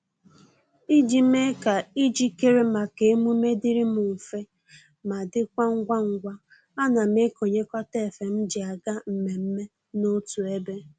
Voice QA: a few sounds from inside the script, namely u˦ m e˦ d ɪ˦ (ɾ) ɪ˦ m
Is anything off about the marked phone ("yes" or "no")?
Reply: no